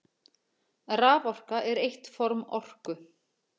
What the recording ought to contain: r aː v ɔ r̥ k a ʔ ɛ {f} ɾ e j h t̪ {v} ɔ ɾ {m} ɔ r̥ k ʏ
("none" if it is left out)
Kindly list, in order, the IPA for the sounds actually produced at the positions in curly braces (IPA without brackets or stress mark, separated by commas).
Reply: none, f, m